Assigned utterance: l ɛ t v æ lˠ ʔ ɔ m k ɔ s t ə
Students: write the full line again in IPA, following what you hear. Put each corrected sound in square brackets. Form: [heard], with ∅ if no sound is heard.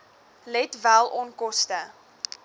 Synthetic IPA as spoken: l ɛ t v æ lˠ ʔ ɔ [n] k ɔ s t ə